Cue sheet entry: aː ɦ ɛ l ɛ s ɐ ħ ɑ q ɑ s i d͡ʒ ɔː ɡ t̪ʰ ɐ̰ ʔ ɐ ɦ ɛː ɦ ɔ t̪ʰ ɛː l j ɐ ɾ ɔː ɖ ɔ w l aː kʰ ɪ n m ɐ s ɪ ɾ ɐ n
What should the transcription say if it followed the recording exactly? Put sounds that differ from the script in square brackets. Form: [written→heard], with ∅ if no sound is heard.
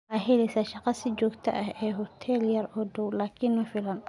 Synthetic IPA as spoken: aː ɦ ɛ l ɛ s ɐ [ħ→ʃ] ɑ q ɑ s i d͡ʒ ɔː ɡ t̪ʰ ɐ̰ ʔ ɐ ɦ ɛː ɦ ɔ t̪ʰ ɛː l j ɐ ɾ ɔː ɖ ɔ w l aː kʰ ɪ n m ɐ [s→f] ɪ [ɾ→l] ɐ n